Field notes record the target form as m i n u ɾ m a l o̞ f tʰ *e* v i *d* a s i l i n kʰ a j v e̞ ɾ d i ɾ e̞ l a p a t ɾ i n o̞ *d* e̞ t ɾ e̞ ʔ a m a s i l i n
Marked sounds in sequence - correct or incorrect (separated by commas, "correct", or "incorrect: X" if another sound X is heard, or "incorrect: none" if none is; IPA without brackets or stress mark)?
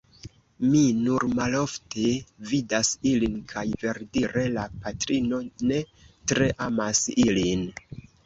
correct, correct, incorrect: n